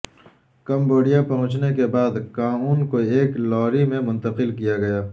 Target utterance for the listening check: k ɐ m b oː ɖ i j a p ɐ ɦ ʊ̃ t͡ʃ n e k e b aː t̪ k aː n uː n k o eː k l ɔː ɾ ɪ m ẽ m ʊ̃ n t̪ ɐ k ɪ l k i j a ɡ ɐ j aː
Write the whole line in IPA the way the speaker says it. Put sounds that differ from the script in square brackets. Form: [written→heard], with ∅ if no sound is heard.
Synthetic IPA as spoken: k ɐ m b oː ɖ i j a p ɐ ɦ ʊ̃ t͡ʃ n e k e b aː [t̪→d̪] k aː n uː n k o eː k l ɔː ɾ [ɪ→i] m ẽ m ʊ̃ n t̪ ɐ [k→q] ɪ l k i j a ɡ ɐ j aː